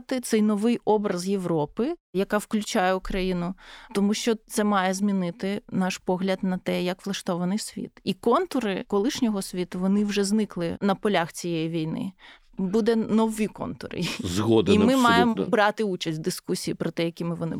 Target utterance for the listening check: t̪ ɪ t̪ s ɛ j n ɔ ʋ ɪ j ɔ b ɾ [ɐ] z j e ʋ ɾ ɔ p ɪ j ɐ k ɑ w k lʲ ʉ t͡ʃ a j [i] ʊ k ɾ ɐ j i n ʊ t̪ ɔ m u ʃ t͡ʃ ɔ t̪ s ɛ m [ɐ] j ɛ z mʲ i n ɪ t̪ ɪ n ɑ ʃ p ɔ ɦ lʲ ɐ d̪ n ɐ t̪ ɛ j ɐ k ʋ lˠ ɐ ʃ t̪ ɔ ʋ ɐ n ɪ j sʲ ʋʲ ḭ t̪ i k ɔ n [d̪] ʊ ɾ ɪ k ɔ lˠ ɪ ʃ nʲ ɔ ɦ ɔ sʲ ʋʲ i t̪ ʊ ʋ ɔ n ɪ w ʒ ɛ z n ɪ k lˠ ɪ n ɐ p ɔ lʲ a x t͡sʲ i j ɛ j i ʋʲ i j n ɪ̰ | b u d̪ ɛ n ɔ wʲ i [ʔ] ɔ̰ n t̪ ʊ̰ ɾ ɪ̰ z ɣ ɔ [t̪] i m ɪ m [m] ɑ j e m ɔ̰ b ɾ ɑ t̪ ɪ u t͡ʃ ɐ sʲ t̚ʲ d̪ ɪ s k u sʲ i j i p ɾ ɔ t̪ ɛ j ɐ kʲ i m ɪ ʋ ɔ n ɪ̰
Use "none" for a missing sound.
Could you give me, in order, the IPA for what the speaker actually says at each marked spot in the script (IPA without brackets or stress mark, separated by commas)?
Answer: ɐ, ɛ, ɑ, t̪, k, d̪, m